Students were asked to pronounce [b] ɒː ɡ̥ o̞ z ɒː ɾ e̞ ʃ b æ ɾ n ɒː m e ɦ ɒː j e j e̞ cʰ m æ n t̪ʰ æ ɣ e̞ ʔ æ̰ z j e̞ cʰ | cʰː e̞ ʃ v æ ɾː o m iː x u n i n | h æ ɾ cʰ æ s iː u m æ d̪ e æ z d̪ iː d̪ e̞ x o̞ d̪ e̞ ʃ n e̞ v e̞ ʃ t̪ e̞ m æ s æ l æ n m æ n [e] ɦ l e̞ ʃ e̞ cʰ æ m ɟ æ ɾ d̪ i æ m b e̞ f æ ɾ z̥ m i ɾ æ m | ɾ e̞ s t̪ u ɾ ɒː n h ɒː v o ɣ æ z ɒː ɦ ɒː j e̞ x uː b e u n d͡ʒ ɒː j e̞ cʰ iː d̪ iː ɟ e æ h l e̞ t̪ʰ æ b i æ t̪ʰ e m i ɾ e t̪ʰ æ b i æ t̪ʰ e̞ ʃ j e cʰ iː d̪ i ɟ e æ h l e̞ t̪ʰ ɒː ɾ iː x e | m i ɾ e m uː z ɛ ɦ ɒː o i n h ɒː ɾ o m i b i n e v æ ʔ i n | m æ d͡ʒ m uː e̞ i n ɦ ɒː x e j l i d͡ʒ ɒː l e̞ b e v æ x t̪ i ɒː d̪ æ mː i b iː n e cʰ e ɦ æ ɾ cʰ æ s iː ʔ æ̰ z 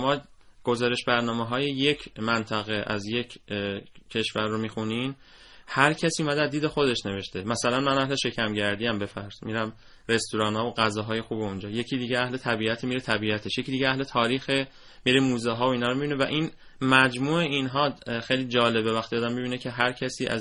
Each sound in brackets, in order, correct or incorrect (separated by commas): incorrect, incorrect